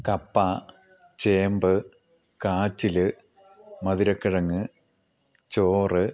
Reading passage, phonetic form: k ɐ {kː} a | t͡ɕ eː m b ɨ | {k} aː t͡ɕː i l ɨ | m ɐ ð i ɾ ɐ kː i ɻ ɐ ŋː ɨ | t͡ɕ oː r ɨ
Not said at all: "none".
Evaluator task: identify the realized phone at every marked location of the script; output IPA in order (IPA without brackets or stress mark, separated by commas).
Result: pː, k